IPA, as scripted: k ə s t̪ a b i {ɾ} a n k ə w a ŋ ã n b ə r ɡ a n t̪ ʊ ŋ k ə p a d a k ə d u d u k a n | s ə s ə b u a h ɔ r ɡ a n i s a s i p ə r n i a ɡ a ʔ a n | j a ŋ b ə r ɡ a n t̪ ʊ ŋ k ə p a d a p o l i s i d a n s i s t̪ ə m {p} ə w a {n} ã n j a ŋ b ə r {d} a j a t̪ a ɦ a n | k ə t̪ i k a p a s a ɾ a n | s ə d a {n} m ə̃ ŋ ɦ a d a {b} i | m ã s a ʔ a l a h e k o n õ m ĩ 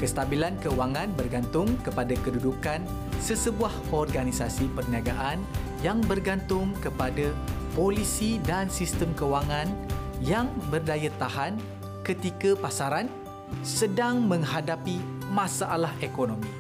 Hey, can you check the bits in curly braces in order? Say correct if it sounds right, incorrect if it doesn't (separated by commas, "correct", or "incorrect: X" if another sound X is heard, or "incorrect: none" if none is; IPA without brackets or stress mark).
incorrect: l, incorrect: k, incorrect: ŋ, correct, incorrect: ŋ, incorrect: p